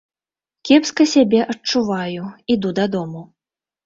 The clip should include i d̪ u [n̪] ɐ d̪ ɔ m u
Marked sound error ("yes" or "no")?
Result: yes